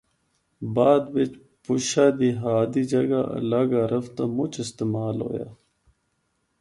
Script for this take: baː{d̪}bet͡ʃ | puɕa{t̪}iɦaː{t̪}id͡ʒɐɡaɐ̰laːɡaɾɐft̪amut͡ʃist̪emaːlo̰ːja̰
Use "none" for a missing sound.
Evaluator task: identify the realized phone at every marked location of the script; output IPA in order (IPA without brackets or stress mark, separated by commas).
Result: d̪, d̪, d̪